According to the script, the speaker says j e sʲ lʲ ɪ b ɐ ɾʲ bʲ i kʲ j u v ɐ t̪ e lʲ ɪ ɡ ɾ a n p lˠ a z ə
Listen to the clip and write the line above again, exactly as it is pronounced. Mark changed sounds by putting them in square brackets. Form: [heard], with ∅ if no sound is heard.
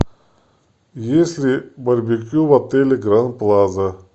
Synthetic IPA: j e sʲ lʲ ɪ b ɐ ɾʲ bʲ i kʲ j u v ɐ t̪ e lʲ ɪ ɡ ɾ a n p lˠ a z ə